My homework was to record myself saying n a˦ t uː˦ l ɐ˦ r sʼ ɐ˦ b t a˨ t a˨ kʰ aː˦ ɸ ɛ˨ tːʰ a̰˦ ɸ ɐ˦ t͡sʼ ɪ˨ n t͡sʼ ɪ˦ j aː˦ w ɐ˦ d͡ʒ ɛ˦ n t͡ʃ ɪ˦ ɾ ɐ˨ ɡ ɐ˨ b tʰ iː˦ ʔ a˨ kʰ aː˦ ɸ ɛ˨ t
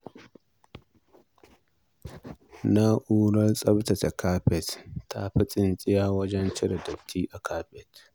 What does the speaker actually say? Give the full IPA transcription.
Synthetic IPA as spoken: n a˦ ʔ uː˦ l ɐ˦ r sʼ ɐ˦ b t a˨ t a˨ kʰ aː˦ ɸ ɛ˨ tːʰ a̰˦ ɸ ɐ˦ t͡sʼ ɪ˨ n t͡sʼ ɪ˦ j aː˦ w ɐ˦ d͡ʒ ɛ˦ n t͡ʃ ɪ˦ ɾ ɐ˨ d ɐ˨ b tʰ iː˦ ʔ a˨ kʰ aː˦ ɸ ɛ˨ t